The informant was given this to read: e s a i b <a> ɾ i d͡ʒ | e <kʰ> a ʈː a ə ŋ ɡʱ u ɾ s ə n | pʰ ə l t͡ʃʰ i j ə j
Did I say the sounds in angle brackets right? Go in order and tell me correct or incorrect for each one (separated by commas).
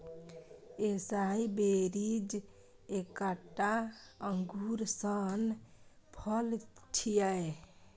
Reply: incorrect, incorrect